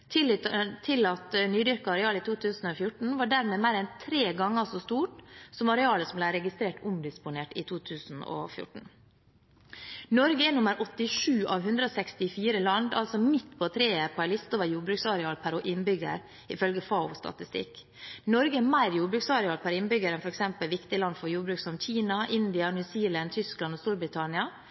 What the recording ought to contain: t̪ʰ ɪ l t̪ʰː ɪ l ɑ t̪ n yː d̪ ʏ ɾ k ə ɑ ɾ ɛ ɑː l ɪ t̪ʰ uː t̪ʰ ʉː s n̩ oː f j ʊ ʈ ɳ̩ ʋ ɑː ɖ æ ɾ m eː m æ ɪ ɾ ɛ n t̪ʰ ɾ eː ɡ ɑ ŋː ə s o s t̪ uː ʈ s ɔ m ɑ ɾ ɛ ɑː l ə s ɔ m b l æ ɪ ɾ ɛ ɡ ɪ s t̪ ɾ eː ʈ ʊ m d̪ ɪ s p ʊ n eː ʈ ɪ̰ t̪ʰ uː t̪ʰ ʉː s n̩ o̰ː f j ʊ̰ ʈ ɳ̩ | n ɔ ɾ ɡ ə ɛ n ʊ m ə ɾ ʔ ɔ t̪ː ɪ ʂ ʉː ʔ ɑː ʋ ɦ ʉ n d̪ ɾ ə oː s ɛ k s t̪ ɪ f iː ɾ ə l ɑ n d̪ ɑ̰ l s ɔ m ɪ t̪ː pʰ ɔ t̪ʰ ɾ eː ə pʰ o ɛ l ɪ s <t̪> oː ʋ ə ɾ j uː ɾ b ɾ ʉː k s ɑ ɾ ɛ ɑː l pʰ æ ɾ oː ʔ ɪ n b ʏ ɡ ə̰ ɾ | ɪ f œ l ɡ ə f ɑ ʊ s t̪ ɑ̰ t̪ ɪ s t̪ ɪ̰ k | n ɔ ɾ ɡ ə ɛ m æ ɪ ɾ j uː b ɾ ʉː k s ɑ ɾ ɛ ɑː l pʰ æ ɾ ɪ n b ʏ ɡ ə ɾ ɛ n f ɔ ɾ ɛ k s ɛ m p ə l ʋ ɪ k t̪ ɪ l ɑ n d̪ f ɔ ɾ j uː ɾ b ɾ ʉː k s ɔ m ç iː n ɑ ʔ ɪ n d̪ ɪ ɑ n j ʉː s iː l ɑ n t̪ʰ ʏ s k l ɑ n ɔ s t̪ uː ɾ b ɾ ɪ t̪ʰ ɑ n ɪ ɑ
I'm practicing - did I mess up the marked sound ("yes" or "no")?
no